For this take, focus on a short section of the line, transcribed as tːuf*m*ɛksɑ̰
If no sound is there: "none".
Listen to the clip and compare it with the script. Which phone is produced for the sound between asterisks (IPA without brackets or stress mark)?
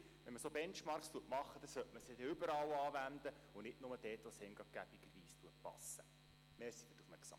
m